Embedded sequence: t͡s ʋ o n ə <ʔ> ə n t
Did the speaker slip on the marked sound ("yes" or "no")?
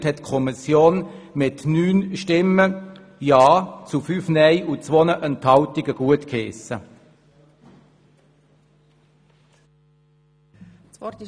no